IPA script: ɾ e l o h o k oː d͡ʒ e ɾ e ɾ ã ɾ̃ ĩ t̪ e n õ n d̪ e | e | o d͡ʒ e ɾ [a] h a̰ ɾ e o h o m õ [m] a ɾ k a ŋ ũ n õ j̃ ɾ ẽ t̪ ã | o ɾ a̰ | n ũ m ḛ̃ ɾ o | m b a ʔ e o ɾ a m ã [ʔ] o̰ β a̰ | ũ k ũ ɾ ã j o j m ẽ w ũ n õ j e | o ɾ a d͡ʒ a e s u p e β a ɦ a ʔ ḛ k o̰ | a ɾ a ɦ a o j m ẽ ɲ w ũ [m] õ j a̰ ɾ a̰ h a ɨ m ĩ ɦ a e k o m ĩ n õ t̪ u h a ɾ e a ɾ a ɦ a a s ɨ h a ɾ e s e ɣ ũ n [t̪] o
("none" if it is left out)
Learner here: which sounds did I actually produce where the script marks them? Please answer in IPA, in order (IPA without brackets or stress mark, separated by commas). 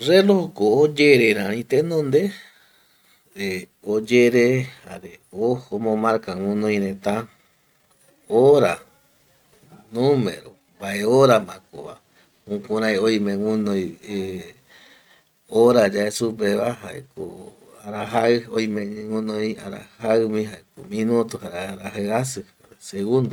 e, m, k, n, d̪